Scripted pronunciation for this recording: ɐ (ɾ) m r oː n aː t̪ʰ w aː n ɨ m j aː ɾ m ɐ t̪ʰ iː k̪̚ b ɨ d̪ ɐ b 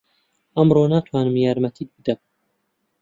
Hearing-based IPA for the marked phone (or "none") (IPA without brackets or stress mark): none